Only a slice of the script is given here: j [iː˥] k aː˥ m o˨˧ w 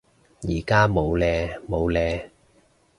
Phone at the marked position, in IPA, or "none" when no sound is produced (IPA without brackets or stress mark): iː˨˩